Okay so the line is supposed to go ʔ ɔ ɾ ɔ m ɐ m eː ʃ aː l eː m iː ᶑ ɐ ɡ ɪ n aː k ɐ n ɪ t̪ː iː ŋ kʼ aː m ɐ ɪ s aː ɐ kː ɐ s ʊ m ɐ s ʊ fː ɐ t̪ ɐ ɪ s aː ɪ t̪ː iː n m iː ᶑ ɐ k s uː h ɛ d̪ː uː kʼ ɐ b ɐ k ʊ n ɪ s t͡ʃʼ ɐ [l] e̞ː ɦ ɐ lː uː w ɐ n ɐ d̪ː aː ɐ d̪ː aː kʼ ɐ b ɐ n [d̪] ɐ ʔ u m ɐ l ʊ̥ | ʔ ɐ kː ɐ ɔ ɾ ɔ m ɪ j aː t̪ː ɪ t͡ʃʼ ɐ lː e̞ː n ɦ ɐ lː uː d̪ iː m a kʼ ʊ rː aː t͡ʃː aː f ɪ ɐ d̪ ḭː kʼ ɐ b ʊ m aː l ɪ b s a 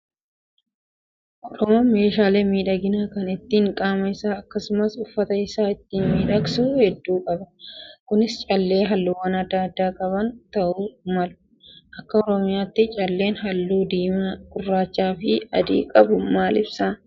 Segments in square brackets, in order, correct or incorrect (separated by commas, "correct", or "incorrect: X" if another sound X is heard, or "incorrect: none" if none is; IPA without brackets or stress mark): incorrect: lː, incorrect: t̪